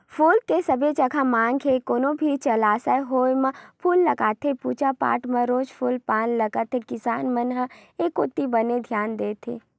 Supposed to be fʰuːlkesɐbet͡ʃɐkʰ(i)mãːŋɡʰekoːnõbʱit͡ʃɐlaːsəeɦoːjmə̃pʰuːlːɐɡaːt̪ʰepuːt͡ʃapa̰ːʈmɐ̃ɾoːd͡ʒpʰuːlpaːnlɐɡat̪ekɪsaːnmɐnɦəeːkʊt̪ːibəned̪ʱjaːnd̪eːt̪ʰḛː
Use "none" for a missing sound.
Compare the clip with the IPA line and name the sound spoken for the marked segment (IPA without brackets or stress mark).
a